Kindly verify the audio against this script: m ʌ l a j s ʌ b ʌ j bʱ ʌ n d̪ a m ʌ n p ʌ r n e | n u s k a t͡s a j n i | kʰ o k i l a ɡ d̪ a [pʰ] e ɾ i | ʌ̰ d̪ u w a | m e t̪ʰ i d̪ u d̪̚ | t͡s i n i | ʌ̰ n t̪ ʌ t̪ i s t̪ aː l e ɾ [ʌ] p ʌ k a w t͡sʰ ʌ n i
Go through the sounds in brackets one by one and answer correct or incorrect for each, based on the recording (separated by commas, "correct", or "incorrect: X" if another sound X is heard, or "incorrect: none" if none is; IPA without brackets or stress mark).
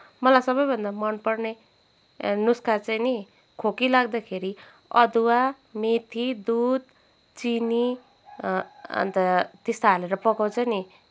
incorrect: kʰ, correct